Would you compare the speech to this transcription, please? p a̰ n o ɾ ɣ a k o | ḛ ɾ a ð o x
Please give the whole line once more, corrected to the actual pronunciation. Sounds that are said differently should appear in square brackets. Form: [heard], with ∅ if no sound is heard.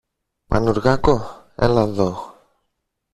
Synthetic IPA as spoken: p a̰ n [u] ɾ ɣ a k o | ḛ [l] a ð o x